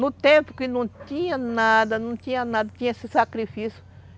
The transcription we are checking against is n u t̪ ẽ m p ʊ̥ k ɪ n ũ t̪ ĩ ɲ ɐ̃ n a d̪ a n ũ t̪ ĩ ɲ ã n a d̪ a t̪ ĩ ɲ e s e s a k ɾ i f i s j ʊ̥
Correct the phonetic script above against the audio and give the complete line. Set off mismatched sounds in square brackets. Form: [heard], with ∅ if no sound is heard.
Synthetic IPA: n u t̪ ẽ m p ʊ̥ k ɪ n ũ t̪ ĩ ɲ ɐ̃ n a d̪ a n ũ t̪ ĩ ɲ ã n a d̪ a t̪ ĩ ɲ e s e s a k ɾ i f i s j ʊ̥